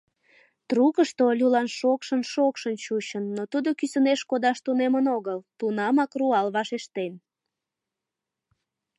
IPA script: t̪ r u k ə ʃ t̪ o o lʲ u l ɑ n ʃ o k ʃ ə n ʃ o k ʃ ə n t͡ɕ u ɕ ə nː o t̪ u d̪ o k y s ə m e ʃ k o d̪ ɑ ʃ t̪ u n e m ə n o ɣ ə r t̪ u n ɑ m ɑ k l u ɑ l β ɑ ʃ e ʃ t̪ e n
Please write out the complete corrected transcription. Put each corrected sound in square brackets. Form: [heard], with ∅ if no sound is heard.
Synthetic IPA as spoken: t̪ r u k ə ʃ t̪ o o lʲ u l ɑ n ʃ o k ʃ ə n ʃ o k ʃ ə n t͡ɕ u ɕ ə nː o t̪ u d̪ o k y s ə [n] e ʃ k o d̪ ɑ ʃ t̪ u n e m ə n o ɣ ə [l] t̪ u n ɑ m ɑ k [r] u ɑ l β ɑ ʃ e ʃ t̪ e n